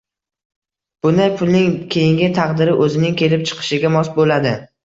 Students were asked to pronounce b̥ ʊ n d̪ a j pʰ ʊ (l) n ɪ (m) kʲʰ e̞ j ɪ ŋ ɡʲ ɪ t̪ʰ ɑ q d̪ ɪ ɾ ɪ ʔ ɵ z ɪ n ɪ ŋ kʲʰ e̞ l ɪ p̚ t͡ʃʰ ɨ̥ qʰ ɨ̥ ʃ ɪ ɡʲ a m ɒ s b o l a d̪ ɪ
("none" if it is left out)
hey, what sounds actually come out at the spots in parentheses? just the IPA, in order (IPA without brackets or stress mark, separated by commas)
l, ŋ